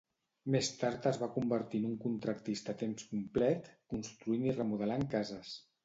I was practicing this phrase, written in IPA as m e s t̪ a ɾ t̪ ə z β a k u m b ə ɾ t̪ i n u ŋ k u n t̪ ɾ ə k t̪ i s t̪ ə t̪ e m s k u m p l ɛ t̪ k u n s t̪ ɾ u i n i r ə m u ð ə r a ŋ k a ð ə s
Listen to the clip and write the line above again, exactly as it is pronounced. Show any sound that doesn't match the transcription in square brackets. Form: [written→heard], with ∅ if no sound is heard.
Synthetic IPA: m e s t̪ a ɾ t̪ ə z β a k u m b ə ɾ t̪ i n u ŋ k u n t̪ ɾ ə k t̪ i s t̪ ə t̪ e m s k u m p l ɛ t̪ k u n s t̪ ɾ u i n i r ə m u ð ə [r→l] a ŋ k a [ð→z] ə s